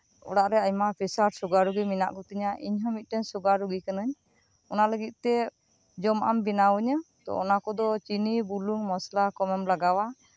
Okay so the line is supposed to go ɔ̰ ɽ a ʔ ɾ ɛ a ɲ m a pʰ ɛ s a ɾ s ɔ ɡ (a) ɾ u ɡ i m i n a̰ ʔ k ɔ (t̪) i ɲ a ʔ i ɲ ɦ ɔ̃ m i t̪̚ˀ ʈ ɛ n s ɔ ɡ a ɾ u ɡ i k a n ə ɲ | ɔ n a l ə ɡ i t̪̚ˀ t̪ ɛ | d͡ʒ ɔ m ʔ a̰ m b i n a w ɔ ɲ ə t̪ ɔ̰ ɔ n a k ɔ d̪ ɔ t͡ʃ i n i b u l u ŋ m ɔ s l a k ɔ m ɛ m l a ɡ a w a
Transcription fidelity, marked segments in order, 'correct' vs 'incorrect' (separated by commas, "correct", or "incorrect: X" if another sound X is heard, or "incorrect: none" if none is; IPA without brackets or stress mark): correct, correct